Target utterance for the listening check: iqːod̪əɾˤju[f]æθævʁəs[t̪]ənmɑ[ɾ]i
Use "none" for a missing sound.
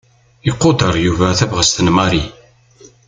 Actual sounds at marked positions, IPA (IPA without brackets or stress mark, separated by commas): v, t̪, ɾ